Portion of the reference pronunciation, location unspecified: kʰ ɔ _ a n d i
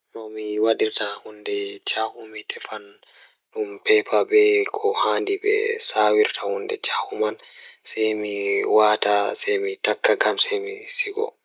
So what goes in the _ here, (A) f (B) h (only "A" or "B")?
B